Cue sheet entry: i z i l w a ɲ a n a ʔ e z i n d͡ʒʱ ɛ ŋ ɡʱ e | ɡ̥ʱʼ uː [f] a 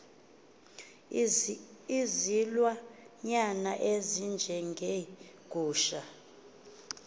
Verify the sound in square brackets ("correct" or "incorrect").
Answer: incorrect